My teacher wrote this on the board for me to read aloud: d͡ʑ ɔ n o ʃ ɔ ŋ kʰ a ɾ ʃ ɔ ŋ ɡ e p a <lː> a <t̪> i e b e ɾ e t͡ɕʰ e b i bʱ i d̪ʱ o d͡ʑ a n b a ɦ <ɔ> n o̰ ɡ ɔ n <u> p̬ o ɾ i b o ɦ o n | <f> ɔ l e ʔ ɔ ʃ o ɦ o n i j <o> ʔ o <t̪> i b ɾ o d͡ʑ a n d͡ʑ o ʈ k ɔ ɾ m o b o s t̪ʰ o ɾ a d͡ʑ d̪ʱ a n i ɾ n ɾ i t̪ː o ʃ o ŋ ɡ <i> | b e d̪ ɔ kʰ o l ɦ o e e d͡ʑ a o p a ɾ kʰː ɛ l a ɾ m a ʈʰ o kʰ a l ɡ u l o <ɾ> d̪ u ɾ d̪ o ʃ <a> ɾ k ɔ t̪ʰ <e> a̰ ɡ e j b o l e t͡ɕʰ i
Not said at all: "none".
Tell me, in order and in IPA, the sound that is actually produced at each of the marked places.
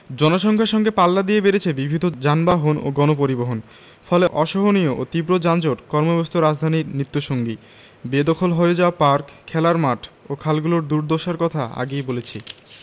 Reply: lː, d̪, o, o, f, o, t̪, i, ɾ, a, a

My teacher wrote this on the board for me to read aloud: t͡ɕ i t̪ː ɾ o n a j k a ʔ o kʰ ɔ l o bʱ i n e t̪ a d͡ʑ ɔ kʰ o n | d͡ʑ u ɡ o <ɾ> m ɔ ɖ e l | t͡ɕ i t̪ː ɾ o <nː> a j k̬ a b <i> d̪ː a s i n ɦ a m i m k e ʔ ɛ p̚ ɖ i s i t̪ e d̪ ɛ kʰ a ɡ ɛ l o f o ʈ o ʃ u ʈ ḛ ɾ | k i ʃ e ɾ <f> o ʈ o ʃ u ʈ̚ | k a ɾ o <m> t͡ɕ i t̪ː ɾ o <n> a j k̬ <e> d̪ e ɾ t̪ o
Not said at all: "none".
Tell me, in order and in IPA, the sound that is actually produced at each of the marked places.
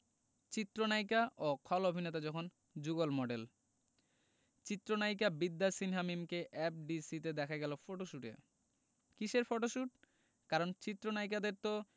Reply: l, n, i, f, n, n, a

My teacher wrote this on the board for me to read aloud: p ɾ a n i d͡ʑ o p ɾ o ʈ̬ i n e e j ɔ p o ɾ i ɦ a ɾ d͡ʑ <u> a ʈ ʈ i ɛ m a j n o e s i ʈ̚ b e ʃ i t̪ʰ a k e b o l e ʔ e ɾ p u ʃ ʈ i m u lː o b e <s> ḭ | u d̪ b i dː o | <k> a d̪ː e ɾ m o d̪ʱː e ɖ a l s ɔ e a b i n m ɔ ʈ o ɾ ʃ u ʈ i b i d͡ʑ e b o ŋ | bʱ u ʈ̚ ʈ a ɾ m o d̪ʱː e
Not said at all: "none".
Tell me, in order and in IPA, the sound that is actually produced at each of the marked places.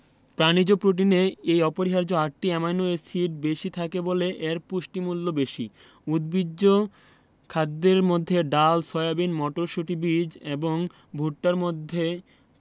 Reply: o, ʃ, kʰ

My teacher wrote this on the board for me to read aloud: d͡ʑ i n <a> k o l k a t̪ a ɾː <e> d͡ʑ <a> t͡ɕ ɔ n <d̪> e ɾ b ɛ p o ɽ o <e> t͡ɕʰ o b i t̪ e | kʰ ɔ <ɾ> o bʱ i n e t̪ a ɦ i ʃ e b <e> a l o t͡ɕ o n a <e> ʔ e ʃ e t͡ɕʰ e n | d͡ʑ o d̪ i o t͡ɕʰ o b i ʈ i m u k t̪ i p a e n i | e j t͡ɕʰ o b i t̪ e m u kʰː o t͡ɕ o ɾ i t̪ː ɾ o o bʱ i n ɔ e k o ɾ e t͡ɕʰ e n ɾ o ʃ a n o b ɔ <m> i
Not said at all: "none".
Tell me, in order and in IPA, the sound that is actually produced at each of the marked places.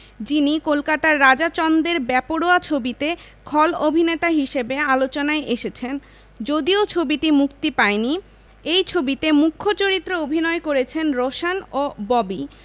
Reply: i, a, a, d̪, a, l, e, e, b

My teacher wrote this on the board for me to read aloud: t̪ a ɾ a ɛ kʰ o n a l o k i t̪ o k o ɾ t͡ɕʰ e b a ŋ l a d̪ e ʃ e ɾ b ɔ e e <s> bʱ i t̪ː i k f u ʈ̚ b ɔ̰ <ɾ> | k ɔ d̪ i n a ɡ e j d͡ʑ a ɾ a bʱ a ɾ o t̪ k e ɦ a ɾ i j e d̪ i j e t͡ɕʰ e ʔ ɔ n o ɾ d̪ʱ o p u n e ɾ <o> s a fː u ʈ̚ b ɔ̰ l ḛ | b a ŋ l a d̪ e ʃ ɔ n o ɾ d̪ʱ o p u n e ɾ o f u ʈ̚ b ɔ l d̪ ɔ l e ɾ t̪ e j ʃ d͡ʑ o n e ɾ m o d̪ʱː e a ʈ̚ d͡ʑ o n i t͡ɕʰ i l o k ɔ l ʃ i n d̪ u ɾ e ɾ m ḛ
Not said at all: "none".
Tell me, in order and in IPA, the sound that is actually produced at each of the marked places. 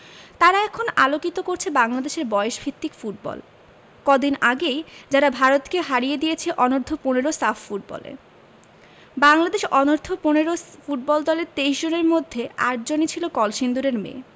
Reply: ʃ, l, o

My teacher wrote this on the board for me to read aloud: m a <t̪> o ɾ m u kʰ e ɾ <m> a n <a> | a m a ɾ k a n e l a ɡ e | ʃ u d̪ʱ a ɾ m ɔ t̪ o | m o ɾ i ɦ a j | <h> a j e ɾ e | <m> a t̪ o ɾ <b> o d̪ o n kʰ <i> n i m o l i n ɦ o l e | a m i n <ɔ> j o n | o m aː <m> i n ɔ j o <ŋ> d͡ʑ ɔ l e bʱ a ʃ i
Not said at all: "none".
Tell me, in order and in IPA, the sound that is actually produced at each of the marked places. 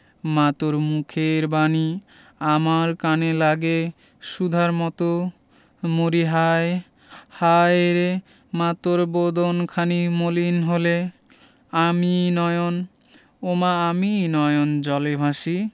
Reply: t̪, b, i, h, m, b, a, ɔ, m, n

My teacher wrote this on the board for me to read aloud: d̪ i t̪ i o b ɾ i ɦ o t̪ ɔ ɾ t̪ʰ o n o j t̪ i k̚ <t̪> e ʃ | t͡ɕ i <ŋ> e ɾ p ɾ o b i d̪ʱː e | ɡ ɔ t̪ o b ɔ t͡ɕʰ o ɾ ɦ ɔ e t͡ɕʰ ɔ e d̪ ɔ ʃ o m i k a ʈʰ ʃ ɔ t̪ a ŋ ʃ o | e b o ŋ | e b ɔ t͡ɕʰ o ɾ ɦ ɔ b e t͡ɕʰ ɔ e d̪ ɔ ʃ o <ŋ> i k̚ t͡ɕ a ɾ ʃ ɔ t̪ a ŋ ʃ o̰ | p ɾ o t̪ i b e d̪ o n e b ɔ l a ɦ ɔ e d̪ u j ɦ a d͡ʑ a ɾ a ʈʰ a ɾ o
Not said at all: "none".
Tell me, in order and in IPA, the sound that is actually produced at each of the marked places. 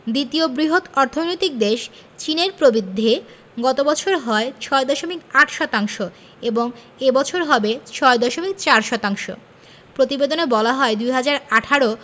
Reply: d̪, n, m

